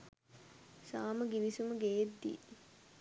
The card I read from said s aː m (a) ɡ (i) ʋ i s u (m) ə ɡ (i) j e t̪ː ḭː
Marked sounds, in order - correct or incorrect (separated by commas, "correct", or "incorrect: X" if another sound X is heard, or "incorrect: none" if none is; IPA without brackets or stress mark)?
incorrect: ə, correct, correct, incorrect: e